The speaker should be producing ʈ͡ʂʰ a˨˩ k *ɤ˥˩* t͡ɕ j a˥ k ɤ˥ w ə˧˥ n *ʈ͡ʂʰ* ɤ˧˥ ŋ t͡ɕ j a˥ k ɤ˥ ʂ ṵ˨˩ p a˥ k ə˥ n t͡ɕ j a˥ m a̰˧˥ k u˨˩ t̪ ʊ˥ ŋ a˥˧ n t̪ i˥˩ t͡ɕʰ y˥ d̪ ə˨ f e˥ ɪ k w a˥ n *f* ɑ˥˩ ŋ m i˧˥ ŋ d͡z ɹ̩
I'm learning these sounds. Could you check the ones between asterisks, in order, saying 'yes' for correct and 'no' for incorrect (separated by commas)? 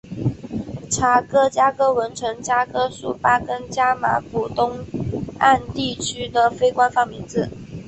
no, yes, yes